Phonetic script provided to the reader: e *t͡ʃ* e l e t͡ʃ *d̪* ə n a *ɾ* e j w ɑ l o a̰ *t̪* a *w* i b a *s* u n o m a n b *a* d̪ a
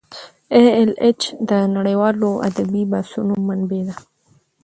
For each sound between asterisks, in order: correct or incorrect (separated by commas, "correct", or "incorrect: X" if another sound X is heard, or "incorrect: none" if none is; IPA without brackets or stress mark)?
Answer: incorrect: none, correct, incorrect: ɽ, incorrect: d̪, incorrect: b, correct, incorrect: e